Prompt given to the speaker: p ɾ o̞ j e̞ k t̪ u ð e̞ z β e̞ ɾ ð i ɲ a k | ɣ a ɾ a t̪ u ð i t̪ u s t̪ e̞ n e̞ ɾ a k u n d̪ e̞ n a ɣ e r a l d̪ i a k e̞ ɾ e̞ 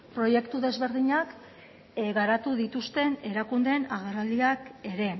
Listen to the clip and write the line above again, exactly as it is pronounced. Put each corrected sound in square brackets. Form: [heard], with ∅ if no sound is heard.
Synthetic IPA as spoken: p ɾ o̞ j e̞ k t̪ u ð e̞ z β e̞ ɾ ð i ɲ a k | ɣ a ɾ a t̪ u ð i t̪ u s t̪ e̞ n e̞ ɾ a k u n d̪ e̞ n a ɣ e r a l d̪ i a k e̞ ɾ e̞